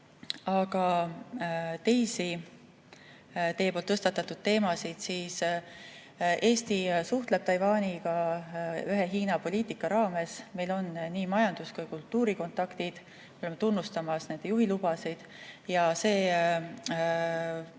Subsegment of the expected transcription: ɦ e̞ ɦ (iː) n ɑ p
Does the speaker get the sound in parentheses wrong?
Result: no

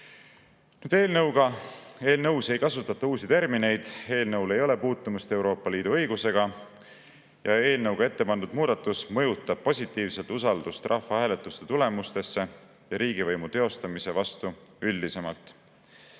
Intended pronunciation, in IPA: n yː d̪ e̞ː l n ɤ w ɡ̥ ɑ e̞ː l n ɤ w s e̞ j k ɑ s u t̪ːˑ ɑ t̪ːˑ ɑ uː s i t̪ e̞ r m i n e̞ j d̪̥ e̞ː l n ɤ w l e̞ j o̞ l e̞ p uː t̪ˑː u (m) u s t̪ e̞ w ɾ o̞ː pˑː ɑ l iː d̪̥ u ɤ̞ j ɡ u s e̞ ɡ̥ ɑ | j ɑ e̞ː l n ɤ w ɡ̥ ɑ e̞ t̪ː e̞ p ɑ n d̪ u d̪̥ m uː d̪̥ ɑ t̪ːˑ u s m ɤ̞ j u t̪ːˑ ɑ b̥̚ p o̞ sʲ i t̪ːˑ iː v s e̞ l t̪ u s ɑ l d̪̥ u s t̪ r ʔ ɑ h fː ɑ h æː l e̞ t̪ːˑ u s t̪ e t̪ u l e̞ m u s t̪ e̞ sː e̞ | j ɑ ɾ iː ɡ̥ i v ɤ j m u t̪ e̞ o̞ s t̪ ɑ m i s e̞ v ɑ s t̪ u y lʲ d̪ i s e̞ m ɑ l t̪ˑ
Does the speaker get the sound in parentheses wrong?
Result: no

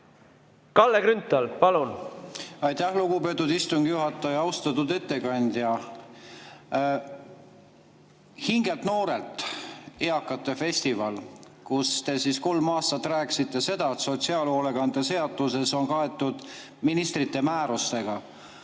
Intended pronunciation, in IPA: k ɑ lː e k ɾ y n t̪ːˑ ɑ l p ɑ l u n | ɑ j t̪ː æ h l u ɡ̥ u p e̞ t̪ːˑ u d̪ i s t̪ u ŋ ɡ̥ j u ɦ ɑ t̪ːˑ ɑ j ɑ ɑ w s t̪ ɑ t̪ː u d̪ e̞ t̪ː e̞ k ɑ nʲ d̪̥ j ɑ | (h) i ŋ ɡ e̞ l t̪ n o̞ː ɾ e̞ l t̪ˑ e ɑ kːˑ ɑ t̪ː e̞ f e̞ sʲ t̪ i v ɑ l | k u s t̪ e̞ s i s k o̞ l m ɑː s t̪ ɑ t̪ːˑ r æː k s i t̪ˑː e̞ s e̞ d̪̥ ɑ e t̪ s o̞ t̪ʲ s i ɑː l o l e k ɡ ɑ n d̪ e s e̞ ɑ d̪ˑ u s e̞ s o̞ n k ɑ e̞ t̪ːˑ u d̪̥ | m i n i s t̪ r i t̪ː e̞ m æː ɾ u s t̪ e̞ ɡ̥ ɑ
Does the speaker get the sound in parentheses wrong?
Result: no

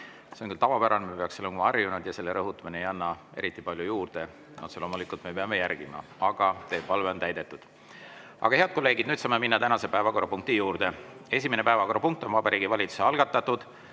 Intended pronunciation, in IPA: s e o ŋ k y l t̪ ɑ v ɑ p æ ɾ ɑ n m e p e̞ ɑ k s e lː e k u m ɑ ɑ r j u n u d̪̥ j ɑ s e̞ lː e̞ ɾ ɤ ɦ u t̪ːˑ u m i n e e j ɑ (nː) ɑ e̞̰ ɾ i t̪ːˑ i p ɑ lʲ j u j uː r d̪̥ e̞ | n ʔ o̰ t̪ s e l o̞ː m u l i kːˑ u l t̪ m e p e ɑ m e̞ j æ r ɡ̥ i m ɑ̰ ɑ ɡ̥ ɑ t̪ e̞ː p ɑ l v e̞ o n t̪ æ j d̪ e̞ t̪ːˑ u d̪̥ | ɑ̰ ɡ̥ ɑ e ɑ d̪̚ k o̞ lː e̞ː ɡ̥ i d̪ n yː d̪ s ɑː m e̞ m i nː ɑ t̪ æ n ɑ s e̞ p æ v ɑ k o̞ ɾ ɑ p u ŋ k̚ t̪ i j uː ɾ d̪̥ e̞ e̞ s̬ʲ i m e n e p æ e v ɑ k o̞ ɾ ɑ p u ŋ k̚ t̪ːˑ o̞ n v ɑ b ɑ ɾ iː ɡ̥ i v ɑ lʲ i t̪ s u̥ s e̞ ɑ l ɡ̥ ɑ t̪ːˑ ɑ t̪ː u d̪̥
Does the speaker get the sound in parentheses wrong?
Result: no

